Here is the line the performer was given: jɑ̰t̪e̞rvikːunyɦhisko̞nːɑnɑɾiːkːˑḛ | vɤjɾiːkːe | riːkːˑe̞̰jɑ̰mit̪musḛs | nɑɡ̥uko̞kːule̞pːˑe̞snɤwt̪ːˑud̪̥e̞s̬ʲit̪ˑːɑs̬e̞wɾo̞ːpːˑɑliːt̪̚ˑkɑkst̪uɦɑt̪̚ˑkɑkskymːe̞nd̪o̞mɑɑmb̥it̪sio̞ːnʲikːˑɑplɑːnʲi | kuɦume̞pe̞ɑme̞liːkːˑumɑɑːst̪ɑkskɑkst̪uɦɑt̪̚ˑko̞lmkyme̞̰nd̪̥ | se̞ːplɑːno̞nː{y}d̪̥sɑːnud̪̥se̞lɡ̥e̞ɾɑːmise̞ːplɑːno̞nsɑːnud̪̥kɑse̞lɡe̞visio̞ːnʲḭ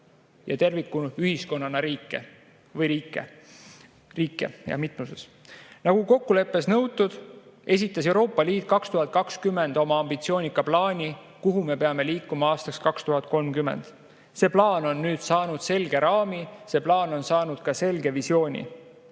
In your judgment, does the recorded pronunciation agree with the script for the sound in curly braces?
no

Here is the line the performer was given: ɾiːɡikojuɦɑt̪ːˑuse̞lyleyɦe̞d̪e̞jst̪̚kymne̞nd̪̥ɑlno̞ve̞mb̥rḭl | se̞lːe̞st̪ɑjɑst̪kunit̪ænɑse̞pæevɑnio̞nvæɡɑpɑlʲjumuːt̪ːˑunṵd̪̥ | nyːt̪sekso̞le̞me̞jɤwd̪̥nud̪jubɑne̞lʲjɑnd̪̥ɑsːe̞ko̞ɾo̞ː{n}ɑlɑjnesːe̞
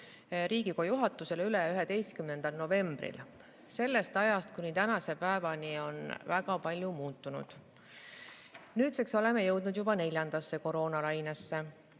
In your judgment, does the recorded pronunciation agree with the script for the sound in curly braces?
yes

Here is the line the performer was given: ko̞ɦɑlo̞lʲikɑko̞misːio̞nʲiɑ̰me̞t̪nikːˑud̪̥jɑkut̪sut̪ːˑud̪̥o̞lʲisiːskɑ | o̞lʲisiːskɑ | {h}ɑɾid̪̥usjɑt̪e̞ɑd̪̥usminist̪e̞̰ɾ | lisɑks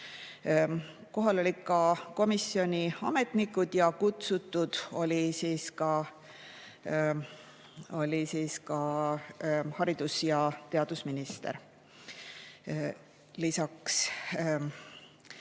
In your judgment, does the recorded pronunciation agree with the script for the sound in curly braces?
yes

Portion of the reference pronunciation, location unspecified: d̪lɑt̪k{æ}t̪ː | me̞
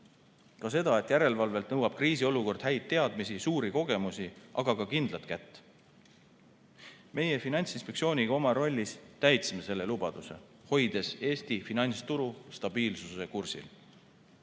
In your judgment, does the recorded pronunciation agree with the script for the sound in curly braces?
yes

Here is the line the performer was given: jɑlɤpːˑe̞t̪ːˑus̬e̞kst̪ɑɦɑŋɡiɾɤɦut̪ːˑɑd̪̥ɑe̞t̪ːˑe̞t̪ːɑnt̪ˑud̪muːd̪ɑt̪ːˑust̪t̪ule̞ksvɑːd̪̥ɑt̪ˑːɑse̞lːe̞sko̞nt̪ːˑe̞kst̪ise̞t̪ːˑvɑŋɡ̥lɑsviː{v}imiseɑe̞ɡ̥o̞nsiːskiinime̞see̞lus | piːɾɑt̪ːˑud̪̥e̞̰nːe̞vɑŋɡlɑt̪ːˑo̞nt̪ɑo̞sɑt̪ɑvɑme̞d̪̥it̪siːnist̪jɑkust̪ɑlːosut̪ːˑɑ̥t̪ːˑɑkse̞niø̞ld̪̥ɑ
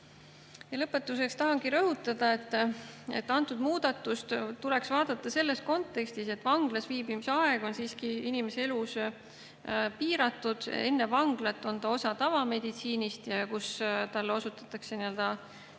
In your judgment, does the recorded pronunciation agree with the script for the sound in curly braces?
no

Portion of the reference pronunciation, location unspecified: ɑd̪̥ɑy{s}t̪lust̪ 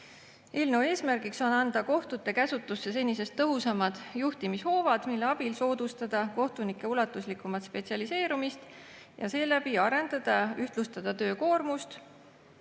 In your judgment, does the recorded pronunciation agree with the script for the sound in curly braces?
no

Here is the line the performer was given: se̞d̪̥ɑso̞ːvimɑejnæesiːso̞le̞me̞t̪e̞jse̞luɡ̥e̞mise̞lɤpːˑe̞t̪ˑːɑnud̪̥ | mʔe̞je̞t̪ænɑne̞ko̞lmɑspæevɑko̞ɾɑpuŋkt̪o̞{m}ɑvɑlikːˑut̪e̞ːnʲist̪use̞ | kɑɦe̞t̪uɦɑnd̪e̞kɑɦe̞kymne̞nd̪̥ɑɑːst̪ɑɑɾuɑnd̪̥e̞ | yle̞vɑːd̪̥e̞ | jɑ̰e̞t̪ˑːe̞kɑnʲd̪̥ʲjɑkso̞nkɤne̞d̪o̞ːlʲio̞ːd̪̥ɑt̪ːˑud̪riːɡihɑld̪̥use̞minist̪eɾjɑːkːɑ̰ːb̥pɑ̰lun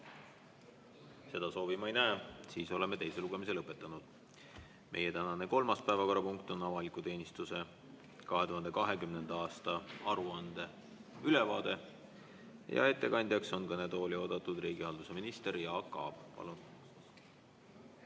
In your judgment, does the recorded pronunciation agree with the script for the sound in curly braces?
no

